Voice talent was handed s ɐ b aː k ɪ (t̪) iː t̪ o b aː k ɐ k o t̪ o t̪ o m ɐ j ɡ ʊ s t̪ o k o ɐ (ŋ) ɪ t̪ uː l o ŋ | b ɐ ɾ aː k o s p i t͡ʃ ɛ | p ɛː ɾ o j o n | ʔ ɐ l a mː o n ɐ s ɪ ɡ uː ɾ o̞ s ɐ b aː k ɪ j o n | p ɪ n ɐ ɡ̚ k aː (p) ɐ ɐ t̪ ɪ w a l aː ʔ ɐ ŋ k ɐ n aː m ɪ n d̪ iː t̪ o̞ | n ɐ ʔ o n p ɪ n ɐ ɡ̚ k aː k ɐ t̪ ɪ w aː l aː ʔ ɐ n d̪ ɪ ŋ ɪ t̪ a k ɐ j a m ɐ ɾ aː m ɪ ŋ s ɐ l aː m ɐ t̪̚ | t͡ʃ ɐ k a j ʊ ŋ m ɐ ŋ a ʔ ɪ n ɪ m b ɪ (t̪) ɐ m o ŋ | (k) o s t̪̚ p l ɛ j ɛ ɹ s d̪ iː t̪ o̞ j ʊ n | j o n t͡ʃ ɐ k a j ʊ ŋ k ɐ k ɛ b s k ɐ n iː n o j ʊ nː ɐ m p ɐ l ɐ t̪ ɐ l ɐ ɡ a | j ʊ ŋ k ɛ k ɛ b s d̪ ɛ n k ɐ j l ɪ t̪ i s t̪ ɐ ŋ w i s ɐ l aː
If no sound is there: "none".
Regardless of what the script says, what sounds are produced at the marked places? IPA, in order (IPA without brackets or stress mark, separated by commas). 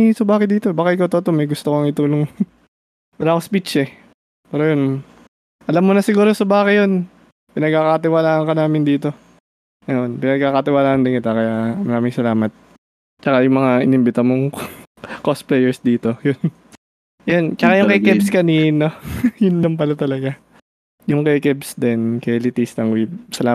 d̪, ŋ, k, t̪, k